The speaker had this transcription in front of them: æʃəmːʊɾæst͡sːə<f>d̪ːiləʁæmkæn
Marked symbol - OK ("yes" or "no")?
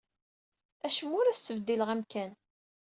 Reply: no